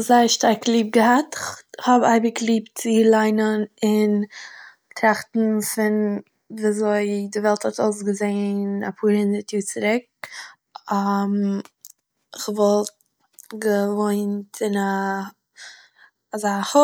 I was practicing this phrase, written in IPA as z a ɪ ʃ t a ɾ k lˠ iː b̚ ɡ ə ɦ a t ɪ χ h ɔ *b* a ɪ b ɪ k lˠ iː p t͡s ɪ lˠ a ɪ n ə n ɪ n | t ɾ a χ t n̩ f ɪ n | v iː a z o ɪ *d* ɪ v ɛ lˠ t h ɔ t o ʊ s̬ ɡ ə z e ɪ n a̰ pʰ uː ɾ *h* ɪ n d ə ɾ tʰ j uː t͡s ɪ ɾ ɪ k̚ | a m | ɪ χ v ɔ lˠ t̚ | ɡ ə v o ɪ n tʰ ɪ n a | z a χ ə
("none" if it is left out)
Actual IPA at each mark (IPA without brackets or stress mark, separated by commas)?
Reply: b, d, h